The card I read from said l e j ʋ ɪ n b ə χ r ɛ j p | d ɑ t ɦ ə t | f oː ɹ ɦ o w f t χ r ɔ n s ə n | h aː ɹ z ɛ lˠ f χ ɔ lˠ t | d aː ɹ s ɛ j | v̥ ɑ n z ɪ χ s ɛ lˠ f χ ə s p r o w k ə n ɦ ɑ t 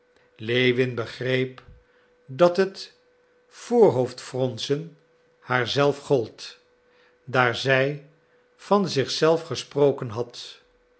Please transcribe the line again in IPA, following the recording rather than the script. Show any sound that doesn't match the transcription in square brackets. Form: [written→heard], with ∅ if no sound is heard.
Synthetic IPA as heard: l e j ʋ ɪ n b ə χ r [ɛ→e] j p | d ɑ t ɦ ə t | f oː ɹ ɦ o w f t [χ→f] r ɔ n s ə n | h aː ɹ z ɛ lˠ f χ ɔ lˠ t | d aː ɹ [s→z] ɛ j | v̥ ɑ n z ɪ χ s ɛ lˠ f χ ə s p r o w k ə n ɦ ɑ t